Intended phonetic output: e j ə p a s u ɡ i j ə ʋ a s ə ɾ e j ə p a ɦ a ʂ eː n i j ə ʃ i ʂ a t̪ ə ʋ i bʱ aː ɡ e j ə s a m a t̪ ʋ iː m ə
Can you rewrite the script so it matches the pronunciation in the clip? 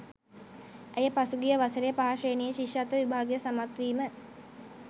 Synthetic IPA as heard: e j ə p a s u ɡ i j ə ʋ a s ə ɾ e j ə p a ɦ a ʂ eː n i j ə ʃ i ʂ a t̪ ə ʋ i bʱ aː ɡ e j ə s a m a t̪ ʋ iː m ə